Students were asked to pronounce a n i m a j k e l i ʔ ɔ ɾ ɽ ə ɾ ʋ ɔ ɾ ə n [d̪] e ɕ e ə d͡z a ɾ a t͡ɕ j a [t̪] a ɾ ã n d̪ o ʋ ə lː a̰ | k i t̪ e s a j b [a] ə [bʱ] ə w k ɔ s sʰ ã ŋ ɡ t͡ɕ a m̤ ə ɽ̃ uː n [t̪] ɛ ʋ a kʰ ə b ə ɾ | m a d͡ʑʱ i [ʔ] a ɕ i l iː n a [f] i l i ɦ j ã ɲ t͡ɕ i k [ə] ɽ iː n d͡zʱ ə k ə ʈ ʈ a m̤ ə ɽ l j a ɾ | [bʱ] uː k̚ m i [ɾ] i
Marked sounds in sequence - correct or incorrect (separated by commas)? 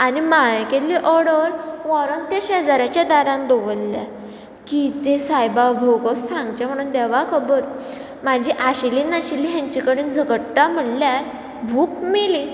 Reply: incorrect, incorrect, correct, correct, incorrect, correct, incorrect, correct, correct, incorrect